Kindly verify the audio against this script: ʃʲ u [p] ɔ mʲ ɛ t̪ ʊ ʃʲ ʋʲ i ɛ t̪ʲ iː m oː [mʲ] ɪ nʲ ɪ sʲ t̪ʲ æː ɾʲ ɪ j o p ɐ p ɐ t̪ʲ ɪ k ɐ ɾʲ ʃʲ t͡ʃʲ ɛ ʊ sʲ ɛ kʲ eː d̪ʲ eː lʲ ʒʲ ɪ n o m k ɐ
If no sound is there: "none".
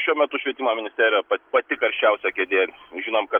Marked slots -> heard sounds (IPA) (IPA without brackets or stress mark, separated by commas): none, mʲ